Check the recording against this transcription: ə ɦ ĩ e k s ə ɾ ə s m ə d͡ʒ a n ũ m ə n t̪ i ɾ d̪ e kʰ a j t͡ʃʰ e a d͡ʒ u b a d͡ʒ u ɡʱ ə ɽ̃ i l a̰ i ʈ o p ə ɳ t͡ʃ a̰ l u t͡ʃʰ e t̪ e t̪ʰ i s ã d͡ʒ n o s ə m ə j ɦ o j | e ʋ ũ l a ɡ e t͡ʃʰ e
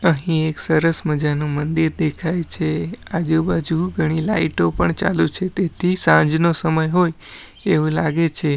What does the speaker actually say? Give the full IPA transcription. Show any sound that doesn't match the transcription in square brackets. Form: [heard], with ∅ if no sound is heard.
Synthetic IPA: ə ɦ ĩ e k s ə ɾ ə s m ə d͡ʒ a n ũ m ə n [d̪] i ɾ d̪ e kʰ a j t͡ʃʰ e a d͡ʒ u b a d͡ʒ u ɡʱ ə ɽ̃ i l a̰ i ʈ o p ə ɳ t͡ʃ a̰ l u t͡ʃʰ e t̪ e t̪ʰ i s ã d͡ʒ n o s ə m ə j ɦ o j | e ʋ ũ l a ɡ e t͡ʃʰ e